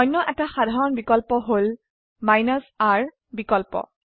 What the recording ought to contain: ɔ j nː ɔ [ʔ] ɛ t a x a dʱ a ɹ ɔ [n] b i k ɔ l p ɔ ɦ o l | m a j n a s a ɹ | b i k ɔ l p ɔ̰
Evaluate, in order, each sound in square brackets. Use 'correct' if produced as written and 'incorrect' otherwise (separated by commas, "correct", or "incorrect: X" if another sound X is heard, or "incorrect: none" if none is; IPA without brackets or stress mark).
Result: correct, correct